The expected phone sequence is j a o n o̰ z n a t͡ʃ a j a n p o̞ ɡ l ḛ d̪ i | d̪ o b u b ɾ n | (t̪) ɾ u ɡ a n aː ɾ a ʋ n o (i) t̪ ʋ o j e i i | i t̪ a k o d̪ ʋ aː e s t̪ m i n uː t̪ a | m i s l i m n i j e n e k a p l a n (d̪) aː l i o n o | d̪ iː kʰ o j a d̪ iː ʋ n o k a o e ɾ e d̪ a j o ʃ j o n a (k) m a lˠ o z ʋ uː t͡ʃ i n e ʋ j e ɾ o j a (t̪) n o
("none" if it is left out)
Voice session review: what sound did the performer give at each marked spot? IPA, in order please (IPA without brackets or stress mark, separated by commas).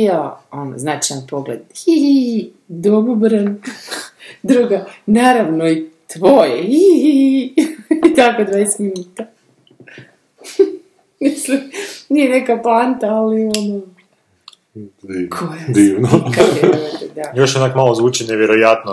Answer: d̪, i, t̪, k, t̪